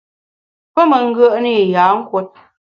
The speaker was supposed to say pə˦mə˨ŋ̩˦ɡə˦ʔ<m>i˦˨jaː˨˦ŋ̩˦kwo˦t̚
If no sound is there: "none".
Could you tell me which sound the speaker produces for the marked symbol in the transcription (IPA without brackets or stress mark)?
n